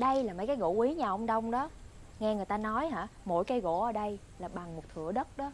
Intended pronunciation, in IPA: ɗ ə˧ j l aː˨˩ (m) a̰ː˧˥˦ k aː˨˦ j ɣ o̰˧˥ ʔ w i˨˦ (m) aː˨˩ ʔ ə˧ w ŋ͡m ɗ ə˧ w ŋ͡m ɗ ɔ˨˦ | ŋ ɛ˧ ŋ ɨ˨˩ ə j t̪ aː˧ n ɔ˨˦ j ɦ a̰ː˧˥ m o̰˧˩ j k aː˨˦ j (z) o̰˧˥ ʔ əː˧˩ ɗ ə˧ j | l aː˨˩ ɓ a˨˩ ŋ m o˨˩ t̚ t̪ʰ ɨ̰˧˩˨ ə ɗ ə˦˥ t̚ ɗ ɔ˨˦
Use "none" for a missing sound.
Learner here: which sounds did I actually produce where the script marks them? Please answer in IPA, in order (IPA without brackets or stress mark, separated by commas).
m, ɲ, ɣ